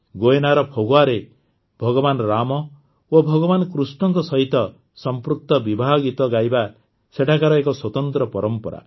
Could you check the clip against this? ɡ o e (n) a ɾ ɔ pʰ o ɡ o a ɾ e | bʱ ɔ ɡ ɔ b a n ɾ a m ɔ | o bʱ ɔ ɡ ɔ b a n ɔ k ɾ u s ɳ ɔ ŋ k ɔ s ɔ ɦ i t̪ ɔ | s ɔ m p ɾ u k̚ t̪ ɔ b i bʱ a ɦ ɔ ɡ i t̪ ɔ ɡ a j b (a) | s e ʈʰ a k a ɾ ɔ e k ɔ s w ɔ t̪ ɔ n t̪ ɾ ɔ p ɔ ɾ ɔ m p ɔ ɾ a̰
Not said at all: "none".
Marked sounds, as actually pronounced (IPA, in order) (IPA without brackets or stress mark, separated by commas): n, a